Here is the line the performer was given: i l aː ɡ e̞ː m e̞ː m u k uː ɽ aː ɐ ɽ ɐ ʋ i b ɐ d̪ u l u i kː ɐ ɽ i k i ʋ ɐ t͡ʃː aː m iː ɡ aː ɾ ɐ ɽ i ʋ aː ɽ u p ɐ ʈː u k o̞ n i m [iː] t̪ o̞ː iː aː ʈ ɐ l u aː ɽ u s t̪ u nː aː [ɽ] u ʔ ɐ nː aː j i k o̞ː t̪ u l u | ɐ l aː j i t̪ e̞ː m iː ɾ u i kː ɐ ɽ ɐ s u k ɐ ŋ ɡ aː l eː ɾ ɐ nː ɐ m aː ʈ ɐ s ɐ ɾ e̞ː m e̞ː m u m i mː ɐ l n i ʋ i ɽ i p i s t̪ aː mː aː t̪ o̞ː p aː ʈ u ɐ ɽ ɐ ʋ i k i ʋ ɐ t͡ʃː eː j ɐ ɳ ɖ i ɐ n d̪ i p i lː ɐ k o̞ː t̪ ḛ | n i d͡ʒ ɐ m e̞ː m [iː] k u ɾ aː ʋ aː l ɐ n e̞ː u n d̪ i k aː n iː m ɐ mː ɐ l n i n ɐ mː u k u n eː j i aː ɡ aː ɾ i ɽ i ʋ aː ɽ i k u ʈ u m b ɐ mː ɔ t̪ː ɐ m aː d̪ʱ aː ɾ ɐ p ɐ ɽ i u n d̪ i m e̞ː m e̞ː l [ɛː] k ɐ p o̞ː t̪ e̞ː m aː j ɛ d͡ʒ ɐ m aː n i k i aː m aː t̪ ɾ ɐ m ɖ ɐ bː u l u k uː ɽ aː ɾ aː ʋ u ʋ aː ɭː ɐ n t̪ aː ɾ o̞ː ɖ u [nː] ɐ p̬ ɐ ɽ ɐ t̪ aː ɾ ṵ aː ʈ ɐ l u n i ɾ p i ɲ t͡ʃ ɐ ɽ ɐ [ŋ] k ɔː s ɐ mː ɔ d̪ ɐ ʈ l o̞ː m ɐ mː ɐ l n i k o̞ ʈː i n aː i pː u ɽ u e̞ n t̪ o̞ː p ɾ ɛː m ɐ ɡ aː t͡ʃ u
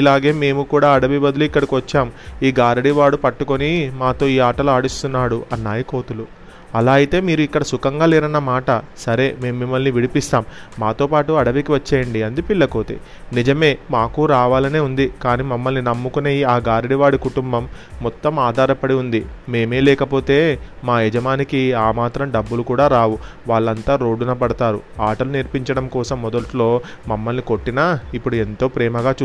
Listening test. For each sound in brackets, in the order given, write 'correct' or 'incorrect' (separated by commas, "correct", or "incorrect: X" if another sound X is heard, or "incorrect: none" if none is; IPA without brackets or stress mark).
incorrect: aː, correct, incorrect: aː, correct, incorrect: n, incorrect: m